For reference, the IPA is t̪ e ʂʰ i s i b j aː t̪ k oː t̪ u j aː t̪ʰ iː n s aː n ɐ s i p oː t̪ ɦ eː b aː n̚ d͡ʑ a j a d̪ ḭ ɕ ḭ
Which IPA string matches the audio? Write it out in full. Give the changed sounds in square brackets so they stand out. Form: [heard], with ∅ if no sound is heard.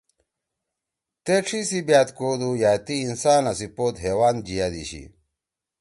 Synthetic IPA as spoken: t̪ e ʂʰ i s i b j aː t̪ k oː [d̪] u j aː [t̪] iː n s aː n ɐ s i p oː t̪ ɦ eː [w] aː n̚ d͡ʑ [i] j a d̪ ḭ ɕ ḭ